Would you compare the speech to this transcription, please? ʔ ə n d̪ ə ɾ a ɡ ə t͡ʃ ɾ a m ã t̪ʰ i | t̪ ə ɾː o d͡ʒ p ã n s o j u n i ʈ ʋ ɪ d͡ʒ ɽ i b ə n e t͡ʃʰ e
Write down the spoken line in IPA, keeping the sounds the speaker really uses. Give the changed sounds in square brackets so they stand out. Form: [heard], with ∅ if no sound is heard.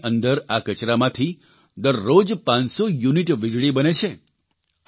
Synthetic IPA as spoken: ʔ ə n d̪ ə ɾ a [k] ə t͡ʃ ɾ a m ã t̪ʰ i | [d̪] ə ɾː o d͡ʒ p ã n s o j u n i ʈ ʋ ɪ d͡ʒ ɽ i b ə n e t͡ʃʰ e